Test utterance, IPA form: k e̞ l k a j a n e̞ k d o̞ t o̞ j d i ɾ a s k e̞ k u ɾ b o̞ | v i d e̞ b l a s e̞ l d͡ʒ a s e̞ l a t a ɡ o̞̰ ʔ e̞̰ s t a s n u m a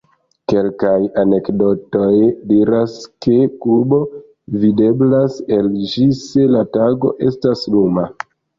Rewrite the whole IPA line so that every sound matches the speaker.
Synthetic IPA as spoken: k e̞ l k a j a n e̞ k d o̞ t o̞ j d i ɾ a s k e̞ k u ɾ b o̞ | v i d e̞ b l a s e̞ l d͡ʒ i s e̞ l a t a ɡ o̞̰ ʔ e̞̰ s t a s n u m a